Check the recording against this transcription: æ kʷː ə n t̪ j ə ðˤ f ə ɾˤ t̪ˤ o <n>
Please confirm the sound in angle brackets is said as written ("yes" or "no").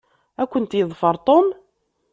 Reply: no